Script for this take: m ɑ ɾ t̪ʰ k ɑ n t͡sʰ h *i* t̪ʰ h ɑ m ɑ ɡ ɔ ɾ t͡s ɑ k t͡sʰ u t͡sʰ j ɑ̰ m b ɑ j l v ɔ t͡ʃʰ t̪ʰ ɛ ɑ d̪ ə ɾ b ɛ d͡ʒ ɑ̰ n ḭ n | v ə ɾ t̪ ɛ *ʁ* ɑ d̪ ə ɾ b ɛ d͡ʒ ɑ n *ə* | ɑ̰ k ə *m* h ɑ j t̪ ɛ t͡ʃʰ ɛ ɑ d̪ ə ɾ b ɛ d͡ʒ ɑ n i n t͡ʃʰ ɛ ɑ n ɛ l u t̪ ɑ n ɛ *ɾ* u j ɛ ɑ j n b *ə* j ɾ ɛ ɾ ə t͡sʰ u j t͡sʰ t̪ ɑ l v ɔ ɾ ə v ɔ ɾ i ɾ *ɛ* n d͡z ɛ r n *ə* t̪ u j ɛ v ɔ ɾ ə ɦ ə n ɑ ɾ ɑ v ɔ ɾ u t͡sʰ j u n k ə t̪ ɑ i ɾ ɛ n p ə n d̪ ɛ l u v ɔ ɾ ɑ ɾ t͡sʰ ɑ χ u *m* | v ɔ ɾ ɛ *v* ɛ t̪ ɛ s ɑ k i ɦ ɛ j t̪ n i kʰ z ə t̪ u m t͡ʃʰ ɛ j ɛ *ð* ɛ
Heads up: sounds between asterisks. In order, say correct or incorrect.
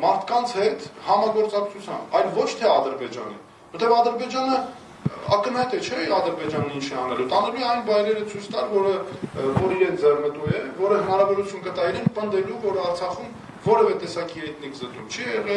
incorrect: ɛ, incorrect: v, correct, incorrect: n, incorrect: l, incorrect: ɑ, correct, correct, correct, correct, incorrect: ʁ

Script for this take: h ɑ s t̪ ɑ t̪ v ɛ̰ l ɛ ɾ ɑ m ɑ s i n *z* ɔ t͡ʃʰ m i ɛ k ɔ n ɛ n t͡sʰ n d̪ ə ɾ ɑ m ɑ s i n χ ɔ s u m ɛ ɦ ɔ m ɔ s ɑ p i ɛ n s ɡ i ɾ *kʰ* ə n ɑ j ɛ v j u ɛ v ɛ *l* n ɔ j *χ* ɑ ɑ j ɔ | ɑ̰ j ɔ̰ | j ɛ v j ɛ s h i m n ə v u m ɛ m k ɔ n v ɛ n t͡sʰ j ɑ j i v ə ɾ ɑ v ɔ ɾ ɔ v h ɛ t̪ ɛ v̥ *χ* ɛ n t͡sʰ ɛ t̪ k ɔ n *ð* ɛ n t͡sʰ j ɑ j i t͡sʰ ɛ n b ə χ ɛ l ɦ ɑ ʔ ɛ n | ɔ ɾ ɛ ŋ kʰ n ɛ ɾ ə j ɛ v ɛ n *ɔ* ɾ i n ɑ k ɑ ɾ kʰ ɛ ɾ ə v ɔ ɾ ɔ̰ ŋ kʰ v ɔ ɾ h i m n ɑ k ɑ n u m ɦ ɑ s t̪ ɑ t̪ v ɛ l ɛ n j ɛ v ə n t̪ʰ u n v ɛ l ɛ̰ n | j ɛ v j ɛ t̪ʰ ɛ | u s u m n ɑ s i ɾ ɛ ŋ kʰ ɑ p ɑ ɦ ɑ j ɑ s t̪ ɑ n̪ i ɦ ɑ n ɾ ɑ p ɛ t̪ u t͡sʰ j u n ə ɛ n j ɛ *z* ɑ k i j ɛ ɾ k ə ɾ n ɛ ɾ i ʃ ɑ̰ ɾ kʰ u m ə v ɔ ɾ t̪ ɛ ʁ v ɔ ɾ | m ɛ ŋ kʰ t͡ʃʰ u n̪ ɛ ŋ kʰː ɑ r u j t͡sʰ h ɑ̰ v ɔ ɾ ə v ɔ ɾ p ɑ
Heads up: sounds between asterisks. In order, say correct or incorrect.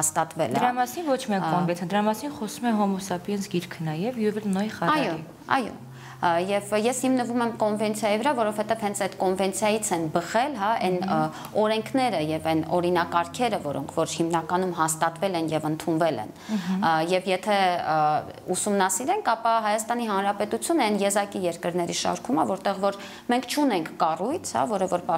incorrect: v, correct, correct, correct, incorrect: h, incorrect: v, correct, correct

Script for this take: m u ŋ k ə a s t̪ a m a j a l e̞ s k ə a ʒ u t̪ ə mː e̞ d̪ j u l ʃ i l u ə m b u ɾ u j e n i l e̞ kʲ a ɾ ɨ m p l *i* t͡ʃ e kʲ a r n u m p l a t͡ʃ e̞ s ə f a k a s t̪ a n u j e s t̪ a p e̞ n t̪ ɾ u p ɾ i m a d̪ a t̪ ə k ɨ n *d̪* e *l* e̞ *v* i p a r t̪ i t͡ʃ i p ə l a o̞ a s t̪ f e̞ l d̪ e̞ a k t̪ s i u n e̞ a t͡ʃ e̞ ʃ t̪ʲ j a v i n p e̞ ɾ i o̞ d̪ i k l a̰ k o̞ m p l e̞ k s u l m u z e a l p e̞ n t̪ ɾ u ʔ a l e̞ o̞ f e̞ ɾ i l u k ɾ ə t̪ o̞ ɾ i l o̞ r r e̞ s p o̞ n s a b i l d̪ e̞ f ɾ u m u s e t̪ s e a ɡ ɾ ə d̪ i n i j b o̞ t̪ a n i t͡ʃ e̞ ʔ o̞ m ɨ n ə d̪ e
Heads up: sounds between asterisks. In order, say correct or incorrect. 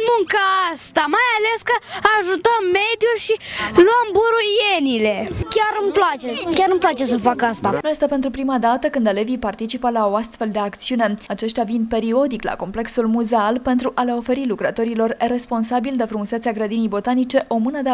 incorrect: a, correct, correct, correct

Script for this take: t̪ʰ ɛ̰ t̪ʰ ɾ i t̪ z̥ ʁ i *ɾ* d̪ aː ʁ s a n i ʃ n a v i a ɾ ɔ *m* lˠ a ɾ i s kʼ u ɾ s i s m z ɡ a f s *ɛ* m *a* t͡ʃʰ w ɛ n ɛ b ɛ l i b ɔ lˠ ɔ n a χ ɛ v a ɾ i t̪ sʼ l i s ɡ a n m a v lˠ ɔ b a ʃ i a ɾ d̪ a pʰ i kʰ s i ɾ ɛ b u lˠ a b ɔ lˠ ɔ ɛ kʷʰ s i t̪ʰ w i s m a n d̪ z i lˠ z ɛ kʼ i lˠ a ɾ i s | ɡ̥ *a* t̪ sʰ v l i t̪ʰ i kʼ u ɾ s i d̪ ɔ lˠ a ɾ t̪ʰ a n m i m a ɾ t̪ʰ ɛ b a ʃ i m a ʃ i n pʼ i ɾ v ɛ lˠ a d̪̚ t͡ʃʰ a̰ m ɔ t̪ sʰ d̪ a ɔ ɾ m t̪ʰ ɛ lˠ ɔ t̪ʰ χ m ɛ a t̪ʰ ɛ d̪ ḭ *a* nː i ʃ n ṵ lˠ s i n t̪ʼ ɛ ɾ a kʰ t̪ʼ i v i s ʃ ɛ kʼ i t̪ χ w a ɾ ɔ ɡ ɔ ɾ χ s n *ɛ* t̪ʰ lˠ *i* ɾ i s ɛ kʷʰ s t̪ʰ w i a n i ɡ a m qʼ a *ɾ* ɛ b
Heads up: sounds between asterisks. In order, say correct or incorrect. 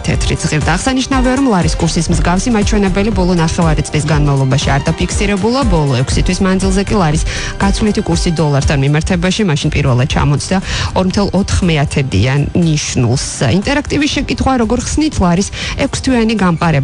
correct, correct, incorrect: i, correct, correct, correct, incorrect: i, incorrect: a, correct

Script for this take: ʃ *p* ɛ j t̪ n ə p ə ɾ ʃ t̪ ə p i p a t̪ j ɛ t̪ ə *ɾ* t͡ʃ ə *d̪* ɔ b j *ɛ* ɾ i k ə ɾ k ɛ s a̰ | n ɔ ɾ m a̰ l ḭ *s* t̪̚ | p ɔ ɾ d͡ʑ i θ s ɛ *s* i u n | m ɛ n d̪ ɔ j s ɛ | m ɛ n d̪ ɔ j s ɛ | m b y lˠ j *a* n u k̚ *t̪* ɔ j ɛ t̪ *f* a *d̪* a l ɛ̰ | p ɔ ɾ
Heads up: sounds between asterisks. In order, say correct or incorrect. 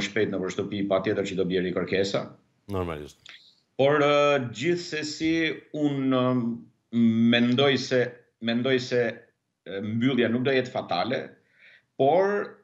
correct, correct, correct, correct, incorrect: ʃ, correct, correct, incorrect: d̪, correct, incorrect: t̪

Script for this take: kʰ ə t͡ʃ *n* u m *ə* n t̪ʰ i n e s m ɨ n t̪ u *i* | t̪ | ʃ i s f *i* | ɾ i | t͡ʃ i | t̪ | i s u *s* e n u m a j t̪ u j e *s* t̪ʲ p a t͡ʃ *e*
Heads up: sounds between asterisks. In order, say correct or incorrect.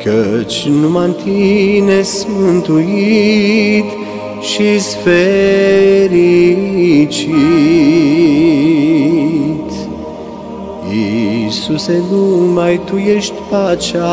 correct, incorrect: a, correct, incorrect: e, correct, incorrect: ʃ, incorrect: a

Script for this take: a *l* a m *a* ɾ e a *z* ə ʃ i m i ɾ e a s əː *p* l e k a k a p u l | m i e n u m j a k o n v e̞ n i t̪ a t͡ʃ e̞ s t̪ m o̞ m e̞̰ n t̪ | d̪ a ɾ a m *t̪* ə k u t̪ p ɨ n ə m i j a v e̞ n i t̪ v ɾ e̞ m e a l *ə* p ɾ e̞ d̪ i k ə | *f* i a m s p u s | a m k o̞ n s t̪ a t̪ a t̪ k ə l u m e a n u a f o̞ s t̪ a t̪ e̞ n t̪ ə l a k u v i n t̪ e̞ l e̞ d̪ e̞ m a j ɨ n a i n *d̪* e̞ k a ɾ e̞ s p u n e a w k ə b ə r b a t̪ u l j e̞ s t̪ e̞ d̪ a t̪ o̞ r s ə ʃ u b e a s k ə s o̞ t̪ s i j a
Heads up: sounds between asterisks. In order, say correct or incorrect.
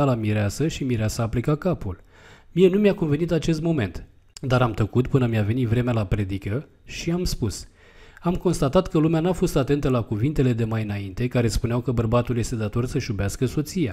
correct, incorrect: i, incorrect: s, correct, correct, incorrect: a, incorrect: ʃ, incorrect: t̪

